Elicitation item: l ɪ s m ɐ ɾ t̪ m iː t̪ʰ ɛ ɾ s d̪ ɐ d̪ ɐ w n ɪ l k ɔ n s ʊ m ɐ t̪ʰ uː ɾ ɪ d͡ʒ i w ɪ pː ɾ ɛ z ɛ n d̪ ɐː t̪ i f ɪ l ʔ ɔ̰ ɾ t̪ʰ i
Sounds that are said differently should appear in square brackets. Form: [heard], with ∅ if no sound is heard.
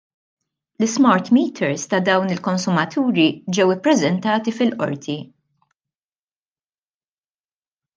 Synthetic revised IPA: l ɪ s m ɐ ɾ t̪ m iː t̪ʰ ɛ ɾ s [t̪] ɐ d̪ ɐ w n ɪ l k ɔ n s ʊ m ɐ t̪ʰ uː ɾ [i] d͡ʒ [ɛ] w ɪ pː ɾ ɛ z ɛ n [t̪] ɐː t̪ i f ɪ l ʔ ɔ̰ ɾ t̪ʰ i